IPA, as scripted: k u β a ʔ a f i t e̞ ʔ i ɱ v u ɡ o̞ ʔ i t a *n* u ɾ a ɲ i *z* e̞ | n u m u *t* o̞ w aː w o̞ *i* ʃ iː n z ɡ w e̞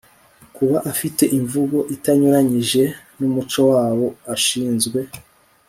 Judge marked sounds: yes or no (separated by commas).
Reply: no, no, no, no